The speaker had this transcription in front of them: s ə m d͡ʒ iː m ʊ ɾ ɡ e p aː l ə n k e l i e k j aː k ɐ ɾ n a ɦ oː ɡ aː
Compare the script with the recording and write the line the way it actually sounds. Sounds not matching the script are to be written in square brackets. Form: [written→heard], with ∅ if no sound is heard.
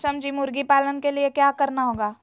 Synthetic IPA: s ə m d͡ʒ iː m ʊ ɾ ɡ [e→i] p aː l ə n k e l i e k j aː k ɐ ɾ n a ɦ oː ɡ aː